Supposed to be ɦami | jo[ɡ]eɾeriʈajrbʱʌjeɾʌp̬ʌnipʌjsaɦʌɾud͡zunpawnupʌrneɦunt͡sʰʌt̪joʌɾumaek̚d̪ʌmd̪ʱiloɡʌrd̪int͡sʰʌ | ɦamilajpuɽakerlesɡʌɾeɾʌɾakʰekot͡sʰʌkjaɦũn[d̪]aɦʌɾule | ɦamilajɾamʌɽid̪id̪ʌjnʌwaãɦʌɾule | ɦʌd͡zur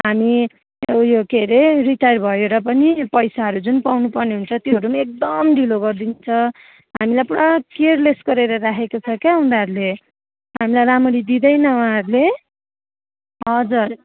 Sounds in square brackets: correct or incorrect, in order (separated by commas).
incorrect, correct